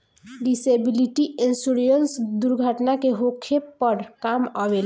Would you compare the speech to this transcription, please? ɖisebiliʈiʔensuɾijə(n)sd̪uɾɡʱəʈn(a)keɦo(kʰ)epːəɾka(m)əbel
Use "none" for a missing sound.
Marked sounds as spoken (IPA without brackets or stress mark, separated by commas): n, a, kʰ, m